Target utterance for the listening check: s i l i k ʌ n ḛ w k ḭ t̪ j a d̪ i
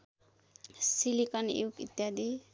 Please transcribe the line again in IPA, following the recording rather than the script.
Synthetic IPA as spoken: s i l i k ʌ n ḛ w k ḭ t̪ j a d̪ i